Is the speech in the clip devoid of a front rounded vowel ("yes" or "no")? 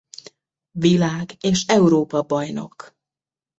yes